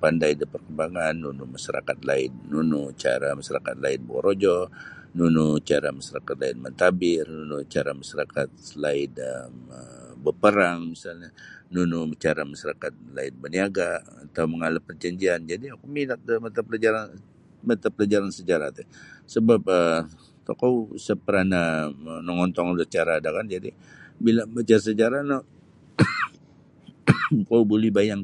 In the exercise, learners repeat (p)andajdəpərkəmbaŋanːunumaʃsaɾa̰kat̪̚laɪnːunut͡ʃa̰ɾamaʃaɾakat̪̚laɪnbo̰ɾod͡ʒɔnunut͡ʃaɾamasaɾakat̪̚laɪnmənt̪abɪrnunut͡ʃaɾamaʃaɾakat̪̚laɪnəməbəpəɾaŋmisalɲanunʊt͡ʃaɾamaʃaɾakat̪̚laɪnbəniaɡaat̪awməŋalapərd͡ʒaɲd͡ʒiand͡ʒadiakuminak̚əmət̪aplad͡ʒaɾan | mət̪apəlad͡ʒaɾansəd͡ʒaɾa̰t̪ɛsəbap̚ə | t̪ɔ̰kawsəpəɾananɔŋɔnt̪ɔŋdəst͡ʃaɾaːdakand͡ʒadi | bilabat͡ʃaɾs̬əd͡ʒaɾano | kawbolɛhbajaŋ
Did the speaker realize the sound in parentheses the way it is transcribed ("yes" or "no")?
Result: yes